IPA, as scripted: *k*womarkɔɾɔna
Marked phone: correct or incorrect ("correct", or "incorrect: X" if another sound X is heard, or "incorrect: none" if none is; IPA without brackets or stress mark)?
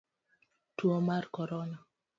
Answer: incorrect: t